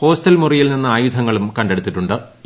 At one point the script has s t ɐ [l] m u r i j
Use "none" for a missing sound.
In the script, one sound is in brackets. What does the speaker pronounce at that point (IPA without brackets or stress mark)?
l